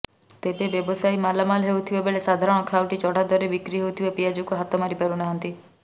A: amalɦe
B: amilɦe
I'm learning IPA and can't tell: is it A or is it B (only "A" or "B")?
A